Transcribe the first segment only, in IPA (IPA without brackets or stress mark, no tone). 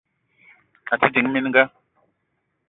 a